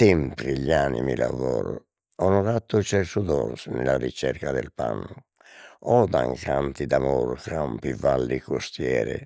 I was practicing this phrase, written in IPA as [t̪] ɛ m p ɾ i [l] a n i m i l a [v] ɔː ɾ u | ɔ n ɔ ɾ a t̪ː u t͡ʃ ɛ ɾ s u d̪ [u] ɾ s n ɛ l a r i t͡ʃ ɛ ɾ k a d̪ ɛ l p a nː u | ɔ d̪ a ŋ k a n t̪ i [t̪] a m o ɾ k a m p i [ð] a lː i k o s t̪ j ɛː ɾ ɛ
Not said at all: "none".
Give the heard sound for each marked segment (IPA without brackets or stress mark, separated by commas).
t̪, ʎ, v, ɔ, d̪, v